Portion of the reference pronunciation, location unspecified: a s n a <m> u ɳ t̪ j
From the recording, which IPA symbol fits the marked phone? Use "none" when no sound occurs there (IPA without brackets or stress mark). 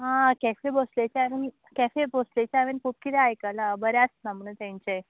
m